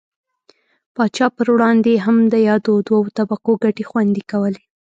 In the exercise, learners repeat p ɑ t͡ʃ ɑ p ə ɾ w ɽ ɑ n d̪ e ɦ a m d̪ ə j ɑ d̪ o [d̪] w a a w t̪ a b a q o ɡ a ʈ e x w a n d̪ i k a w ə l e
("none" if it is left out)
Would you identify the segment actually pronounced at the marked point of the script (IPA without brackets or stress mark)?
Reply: d̪